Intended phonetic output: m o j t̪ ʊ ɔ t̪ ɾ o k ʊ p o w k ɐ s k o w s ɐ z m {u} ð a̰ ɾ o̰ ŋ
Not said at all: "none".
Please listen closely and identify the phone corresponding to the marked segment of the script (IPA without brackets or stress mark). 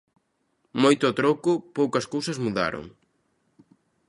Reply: u